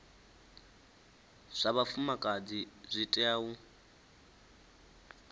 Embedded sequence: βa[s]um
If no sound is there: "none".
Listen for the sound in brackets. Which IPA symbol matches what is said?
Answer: f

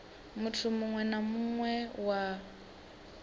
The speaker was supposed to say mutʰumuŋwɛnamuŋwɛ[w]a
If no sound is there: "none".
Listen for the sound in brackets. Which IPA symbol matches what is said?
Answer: w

